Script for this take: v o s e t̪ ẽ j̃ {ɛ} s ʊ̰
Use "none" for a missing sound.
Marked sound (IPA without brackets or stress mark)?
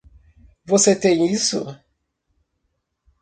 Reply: i